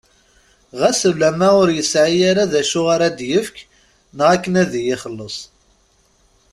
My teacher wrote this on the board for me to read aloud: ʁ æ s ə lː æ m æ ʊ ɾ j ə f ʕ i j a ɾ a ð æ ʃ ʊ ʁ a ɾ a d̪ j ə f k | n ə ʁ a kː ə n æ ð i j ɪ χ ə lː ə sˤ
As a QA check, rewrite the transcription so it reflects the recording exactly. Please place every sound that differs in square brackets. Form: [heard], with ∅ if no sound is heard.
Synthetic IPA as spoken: ʁ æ s ə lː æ m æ ʊ ɾ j ə [s] ʕ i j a ɾ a ð æ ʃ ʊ ʁ a ɾ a d̪ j ə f k | n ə ʁ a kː ə n æ ð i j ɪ χ ə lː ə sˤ